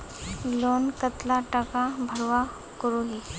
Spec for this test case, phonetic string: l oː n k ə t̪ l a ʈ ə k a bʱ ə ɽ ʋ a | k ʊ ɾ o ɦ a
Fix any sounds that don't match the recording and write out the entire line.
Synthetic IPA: l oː n k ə t̪ l a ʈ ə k a bʱ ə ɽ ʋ a | k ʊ ɾ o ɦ i